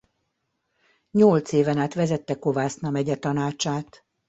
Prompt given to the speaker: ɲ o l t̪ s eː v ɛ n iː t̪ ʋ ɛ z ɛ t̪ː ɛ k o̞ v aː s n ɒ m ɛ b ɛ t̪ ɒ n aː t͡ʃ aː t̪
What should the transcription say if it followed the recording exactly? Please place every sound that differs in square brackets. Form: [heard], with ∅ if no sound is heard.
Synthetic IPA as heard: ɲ o l t̪ s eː v ɛ n [aː] t̪ ʋ ɛ z ɛ t̪ː ɛ k o̞ v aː s n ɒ m ɛ [ɟ] ɛ t̪ ɒ n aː t͡ʃ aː t̪